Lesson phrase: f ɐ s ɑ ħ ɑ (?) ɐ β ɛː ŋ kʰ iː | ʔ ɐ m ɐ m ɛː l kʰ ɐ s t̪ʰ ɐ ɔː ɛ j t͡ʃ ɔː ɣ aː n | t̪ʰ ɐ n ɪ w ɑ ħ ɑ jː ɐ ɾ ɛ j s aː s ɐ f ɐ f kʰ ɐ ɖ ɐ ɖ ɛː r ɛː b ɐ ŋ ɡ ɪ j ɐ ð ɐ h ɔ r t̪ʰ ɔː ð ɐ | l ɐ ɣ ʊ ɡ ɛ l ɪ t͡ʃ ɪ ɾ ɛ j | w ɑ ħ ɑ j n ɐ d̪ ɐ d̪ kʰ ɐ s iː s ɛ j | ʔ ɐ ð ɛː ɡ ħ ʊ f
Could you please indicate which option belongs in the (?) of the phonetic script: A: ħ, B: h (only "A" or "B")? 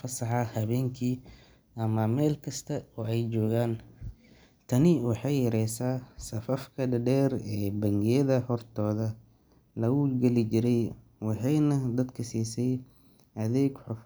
B